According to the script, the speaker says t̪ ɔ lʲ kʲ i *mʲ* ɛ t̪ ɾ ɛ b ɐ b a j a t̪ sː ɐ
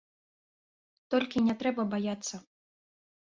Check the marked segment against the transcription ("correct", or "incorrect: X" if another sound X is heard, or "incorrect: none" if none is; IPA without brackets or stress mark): incorrect: nʲ